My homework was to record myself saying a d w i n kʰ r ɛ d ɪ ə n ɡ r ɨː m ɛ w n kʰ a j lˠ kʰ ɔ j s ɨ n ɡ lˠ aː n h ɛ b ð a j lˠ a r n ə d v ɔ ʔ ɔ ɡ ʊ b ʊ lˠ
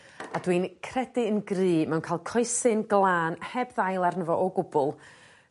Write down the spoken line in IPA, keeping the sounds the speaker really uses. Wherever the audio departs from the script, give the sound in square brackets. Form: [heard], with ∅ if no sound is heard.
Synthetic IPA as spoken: a d w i n kʰ r ɛ d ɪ ə n ɡ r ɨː m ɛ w n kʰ a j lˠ kʰ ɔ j s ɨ n ɡ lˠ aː n h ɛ b ð a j lˠ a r n ə [∅] v ɔ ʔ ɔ ɡ ʊ b ʊ lˠ